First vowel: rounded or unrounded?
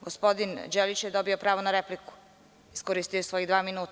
rounded